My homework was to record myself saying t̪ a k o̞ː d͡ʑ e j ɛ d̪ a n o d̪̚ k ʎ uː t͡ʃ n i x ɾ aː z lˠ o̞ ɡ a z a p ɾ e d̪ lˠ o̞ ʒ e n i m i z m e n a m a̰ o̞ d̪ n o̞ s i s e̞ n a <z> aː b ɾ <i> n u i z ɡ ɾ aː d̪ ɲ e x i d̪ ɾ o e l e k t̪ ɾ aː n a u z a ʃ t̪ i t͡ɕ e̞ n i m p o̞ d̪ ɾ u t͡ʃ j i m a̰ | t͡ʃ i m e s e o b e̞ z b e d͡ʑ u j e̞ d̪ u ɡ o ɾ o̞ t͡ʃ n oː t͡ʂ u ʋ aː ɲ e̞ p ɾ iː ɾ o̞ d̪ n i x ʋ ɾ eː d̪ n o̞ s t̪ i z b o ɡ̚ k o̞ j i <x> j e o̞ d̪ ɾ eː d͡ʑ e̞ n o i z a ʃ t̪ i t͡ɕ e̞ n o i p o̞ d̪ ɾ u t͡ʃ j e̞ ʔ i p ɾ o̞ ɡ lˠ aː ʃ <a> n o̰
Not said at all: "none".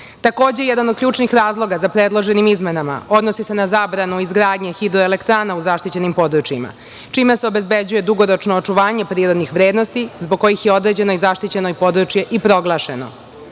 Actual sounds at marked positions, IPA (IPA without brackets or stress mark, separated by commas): z, a, x, e